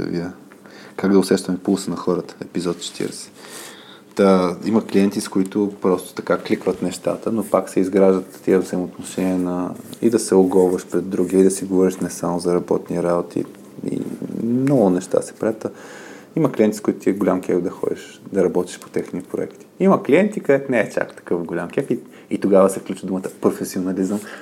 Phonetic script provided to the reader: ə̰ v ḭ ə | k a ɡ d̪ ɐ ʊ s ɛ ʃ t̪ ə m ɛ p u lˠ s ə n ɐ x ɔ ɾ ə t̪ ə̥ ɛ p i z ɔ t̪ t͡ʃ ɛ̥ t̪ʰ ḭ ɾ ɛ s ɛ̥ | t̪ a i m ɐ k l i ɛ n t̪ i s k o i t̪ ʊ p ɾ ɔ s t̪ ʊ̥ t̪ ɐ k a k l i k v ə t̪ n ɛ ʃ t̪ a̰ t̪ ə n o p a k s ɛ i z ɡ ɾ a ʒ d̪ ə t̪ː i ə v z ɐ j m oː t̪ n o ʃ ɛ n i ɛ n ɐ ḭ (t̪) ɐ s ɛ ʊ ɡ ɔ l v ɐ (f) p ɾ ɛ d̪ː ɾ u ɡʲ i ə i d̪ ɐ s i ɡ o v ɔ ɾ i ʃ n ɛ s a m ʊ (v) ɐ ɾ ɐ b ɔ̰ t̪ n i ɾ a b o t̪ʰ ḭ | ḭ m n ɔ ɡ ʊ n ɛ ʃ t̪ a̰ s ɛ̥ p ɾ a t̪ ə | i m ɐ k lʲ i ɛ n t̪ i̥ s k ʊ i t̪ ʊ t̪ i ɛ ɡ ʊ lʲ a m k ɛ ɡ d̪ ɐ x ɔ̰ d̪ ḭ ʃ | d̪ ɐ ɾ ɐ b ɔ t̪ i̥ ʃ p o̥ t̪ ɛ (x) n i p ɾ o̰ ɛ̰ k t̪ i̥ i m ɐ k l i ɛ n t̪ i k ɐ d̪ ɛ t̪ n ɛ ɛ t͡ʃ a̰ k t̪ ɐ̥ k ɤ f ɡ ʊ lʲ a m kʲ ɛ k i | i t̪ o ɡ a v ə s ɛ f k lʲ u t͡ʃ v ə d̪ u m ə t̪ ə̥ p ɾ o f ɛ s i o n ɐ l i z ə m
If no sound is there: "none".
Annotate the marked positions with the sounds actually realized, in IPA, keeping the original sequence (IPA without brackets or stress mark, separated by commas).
d̪, ʃ, z, x